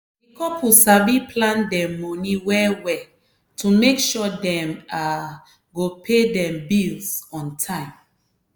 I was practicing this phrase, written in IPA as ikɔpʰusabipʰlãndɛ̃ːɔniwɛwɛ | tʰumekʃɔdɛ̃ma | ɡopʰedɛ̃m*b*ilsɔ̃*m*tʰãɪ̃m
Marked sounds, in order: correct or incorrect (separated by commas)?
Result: correct, incorrect